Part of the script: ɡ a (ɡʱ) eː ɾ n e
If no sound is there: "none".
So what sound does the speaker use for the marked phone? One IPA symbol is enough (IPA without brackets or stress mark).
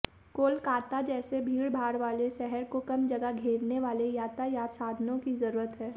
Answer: ɡʱ